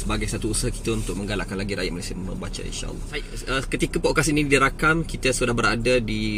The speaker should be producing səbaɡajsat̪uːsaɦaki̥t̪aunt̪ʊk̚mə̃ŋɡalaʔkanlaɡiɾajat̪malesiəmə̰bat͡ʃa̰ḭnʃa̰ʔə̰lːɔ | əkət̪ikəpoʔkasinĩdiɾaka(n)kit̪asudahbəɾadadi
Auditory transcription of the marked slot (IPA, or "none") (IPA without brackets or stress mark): m